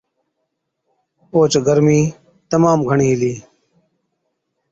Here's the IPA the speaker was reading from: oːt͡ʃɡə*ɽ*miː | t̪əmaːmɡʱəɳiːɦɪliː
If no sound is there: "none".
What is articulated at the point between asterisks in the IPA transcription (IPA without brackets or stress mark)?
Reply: ɾ